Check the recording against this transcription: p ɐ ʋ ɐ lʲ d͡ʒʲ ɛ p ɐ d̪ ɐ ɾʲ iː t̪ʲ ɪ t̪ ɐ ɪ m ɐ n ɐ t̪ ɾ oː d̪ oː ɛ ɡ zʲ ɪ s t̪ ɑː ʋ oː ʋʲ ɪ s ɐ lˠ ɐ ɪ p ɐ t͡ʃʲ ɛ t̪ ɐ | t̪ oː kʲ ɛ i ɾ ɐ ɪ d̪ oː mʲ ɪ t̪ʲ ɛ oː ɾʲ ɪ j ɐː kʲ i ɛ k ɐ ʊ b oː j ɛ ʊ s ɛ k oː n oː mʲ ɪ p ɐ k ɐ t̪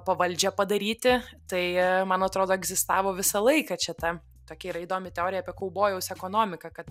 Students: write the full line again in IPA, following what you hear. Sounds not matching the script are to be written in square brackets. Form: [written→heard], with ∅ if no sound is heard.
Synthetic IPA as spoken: p ɐ ʋ ɐ lʲ d͡ʒʲ ɛ p ɐ d̪ ɐ ɾʲ iː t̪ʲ ɪ t̪ ɐ ɪ m ɐ n ɐ t̪ ɾ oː d̪ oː ɛ ɡ zʲ ɪ s t̪ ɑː ʋ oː ʋʲ ɪ s ɐ lˠ ɐ ɪ [p→k] ɐ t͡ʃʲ ɛ t̪ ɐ | t̪ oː kʲ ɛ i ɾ ɐ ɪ d̪ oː mʲ ɪ t̪ʲ ɛ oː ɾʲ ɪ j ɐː [kʲ→pʲ] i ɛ k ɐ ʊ b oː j ɛ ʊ s ɛ k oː n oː mʲ ɪ [p→k] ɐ k ɐ t̪